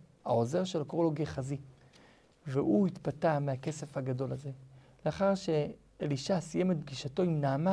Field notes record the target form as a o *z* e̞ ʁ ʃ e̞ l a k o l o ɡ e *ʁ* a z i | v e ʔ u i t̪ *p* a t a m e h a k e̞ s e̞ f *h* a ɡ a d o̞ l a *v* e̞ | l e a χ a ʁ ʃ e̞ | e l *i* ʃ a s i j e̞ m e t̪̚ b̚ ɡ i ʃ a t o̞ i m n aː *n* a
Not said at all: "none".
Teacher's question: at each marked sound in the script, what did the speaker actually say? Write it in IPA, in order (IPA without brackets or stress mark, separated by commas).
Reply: z, χ, p, h, z, i, m